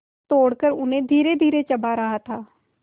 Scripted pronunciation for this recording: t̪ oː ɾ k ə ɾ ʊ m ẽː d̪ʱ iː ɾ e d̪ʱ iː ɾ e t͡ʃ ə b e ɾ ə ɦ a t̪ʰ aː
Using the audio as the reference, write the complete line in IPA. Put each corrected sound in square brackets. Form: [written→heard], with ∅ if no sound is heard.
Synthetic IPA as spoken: t̪ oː [ɾ→ɽ] k ə ɾ ʊ [m→n] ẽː d̪ʱ iː ɾ e d̪ʱ iː ɾ e t͡ʃ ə b [e→a] ɾ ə ɦ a t̪ʰ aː

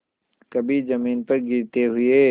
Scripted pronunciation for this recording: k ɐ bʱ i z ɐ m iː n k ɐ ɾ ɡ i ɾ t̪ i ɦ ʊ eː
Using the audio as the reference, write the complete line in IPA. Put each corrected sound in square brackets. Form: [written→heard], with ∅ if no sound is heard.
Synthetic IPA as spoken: k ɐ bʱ i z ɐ m iː n [k→p] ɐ ɾ ɡ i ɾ t̪ [i→e] ɦ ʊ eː

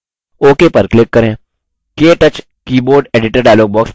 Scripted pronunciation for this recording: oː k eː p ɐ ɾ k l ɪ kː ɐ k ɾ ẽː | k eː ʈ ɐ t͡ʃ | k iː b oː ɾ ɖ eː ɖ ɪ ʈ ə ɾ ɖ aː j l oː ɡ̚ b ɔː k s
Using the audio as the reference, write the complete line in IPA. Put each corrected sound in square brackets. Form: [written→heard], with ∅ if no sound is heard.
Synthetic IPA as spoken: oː k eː p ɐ ɾ k l ɪ kː ɐ [k→∅] ɾ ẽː | k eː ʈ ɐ t͡ʃ | k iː b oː ɾ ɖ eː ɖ ɪ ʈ ə ɾ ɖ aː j l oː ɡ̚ b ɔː k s

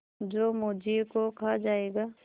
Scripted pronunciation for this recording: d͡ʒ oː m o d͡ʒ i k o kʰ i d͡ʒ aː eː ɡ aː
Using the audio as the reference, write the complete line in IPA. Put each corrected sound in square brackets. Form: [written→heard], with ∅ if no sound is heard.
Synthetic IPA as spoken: d͡ʒ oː m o d͡ʒ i k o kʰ [i→a] d͡ʒ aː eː ɡ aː

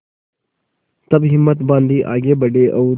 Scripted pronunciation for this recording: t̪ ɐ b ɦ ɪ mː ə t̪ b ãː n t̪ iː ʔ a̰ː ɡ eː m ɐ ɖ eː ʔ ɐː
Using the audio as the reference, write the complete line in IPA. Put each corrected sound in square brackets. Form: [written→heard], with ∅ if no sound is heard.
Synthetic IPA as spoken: t̪ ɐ b ɦ ɪ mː ə t̪ b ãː n [t̪→d̪] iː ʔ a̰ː ɡ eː [m→b] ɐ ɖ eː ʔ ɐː

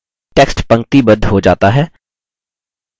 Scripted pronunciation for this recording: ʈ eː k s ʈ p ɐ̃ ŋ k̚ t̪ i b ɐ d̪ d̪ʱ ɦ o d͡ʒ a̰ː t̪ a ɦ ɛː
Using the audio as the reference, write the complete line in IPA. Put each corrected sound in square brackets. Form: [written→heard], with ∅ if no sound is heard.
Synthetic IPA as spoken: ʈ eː k s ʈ p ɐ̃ ŋ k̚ t̪ i b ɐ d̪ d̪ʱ ɦ o d͡ʒ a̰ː t̪ a ɦ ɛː

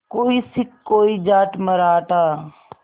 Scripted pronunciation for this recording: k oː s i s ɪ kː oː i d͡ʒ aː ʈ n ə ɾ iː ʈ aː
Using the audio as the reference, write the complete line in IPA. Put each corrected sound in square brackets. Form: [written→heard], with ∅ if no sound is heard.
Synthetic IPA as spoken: k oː [s→∅] i s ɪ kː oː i d͡ʒ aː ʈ [n→m] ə ɾ [iː→aː] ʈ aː

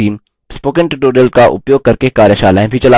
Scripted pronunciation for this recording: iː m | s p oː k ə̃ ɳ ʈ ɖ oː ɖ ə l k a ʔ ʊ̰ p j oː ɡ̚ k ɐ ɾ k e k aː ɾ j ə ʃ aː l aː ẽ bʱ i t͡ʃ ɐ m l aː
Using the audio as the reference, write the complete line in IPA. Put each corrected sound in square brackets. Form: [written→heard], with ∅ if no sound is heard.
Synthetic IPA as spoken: iː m | s p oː k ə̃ ɳ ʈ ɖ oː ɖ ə l k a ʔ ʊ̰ p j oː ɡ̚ k ɐ ɾ k e k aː ɾ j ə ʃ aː l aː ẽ bʱ i t͡ʃ ɐ [m→∅] l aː

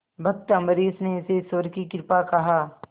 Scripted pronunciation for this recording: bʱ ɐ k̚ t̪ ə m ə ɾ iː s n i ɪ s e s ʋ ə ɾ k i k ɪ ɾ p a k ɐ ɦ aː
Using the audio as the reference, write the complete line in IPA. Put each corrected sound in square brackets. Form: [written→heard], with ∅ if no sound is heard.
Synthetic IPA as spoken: bʱ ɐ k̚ t̪ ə m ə ɾ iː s n [i→e] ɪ s e s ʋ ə ɾ k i k ɪ ɾ p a k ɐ ɦ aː

